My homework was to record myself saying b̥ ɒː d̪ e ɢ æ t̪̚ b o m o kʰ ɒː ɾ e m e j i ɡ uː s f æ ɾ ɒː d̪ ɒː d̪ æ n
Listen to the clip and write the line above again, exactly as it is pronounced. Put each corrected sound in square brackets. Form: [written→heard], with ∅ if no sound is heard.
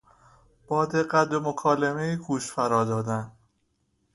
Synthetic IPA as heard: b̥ ɒː d̪ e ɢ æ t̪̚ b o m o kʰ ɒː [ɾ→l] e m e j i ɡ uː [s→ʃ] f æ ɾ ɒː d̪ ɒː d̪ æ n